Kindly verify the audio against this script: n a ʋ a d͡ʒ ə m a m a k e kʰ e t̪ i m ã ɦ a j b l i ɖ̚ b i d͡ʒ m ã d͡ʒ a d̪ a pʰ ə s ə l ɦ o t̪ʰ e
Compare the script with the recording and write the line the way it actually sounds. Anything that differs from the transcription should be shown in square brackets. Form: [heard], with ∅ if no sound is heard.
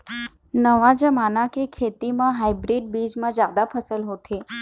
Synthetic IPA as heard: n [ə] ʋ a d͡ʒ ə m a [n] a k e kʰ e t̪ i m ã ɦ a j b [ɾ] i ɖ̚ b i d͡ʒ m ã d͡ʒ a d̪ a pʰ ə s ə l ɦ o t̪ʰ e